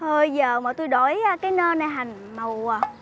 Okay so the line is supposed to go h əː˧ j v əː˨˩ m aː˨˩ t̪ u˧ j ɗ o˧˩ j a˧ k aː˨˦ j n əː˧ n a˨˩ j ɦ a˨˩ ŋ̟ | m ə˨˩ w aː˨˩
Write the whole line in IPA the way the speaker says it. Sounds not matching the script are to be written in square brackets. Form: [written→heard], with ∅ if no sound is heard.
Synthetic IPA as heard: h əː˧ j [v→z] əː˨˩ m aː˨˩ t̪ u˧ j ɗ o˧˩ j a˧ k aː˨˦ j n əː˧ n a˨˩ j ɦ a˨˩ ŋ̟ | m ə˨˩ w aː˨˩